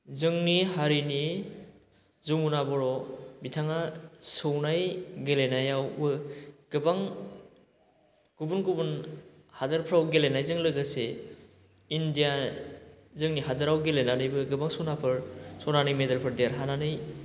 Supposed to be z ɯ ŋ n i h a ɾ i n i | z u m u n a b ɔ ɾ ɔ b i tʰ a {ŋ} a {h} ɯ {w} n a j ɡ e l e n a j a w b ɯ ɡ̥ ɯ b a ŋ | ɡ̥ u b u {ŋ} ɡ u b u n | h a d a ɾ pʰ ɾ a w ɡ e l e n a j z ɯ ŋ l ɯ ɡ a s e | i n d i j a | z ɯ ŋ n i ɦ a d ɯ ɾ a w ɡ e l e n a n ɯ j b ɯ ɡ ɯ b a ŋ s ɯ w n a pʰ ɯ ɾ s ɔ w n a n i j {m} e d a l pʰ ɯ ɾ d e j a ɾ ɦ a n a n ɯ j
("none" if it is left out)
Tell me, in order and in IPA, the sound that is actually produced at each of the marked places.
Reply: ŋ, s, w, n, m

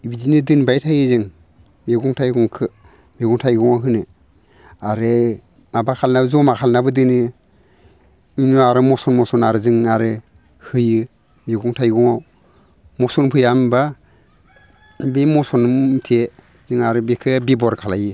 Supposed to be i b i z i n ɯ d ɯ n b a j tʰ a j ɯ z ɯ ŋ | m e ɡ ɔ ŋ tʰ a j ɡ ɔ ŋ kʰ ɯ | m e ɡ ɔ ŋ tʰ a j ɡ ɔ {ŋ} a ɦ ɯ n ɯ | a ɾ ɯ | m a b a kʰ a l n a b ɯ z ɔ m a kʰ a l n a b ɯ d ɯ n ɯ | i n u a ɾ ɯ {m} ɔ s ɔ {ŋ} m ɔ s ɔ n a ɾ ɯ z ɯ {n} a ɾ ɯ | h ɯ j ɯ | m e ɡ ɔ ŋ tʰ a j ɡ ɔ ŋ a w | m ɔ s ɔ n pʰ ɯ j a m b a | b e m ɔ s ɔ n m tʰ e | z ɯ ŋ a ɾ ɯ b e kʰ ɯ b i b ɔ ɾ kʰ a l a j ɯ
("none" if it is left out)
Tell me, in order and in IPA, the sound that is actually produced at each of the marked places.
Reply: ŋ, m, n, ŋ

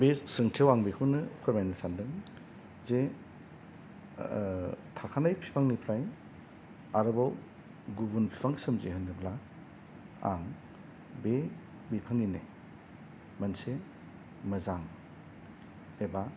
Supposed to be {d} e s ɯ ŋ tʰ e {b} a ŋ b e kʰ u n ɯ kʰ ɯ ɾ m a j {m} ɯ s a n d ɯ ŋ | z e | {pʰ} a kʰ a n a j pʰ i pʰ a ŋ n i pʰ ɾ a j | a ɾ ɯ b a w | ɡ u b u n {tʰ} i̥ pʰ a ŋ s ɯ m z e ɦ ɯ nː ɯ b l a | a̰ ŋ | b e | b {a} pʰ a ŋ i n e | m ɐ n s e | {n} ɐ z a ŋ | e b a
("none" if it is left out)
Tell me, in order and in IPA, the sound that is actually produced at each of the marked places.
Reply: b, w, n, tʰ, pʰ, i, m

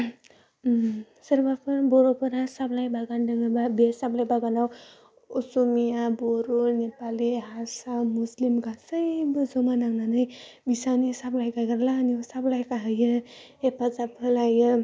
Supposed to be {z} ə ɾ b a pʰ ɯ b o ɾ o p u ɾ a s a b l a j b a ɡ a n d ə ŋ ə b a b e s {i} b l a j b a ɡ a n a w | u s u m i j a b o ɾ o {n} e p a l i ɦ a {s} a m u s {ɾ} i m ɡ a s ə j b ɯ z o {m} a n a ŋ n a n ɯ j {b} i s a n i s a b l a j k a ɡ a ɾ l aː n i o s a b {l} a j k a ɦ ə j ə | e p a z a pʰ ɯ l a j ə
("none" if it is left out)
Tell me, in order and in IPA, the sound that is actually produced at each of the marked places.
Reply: s, a, n, s, l, m, b, l

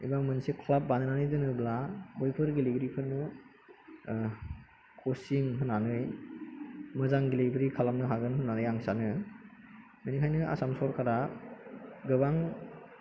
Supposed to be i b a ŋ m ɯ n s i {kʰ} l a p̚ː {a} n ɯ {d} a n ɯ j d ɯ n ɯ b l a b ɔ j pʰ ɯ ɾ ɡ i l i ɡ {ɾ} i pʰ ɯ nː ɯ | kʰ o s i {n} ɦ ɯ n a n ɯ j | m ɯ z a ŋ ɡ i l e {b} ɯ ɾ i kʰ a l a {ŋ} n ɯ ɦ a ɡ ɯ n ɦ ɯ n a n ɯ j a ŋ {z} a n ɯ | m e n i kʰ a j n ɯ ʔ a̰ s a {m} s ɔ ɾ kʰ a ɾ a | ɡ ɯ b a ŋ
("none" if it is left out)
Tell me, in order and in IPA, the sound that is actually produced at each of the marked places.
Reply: kʰ, a, n, ɾ, ŋ, b, m, s, m

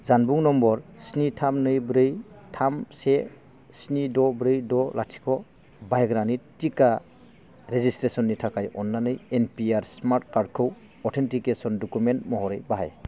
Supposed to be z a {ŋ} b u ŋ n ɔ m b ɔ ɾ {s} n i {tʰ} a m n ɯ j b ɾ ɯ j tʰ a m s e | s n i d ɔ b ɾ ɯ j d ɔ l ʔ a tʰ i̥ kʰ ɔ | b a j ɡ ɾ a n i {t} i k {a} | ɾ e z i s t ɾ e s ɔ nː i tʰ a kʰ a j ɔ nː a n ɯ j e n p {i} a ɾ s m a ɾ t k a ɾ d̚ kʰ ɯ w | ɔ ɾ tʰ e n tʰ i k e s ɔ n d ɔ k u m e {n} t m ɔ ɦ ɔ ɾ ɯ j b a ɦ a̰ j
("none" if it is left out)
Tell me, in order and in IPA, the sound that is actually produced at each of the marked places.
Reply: n, s, tʰ, t, a, i, n

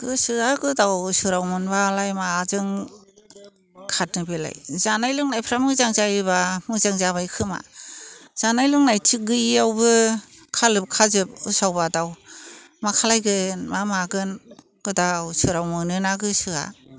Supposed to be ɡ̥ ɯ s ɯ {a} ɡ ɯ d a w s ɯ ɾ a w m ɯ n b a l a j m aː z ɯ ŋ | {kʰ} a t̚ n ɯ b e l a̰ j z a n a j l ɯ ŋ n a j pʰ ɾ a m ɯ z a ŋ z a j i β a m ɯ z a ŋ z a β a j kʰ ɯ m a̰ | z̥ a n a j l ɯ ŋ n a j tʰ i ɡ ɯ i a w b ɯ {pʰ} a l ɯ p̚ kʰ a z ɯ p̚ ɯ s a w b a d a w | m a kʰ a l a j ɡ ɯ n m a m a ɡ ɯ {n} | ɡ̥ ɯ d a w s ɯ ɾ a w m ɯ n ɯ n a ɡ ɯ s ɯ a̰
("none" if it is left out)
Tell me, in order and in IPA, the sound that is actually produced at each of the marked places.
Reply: a, kʰ, kʰ, n

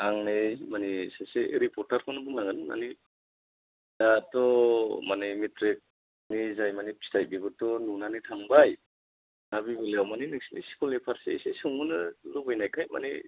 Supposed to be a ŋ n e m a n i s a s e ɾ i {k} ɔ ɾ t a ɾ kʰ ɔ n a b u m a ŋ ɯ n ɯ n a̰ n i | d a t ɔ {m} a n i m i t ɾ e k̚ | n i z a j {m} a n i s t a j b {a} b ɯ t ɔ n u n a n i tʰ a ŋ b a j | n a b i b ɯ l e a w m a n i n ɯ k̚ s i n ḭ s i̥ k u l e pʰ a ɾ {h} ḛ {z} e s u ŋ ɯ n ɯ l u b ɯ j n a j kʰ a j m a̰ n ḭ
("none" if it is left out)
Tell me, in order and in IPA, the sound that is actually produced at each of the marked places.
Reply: p, m, m, i, s, s

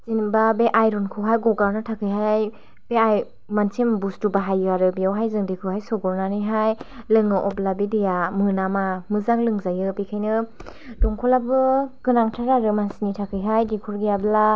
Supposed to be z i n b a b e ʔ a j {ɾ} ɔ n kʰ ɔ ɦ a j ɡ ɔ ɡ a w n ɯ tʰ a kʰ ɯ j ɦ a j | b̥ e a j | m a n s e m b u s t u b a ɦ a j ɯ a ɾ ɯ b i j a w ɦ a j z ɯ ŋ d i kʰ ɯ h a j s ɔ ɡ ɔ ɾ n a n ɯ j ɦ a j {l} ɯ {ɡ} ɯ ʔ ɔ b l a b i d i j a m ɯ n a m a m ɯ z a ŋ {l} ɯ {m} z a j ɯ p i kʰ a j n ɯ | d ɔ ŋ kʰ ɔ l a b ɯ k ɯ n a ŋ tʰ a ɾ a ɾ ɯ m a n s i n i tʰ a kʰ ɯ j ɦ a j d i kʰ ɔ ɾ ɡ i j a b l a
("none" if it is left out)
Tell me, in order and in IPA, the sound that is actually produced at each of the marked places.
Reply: ɾ, l, ŋ, l, ŋ

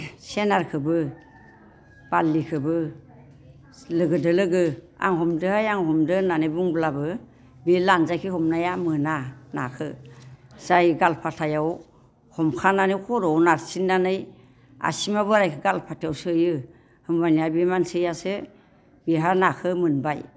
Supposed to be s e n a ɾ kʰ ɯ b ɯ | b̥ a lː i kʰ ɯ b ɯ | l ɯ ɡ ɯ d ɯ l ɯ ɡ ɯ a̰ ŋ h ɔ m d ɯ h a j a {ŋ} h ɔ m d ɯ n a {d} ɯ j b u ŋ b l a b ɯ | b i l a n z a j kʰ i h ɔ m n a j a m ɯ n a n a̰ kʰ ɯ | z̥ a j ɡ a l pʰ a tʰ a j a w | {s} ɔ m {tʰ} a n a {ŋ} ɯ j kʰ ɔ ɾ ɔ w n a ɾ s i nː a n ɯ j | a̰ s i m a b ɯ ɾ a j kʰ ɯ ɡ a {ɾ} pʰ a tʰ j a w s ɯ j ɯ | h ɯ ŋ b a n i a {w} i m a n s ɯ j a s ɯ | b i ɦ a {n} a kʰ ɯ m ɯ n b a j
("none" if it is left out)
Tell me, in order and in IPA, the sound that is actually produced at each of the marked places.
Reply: ŋ, n, h, kʰ, n, l, b, n

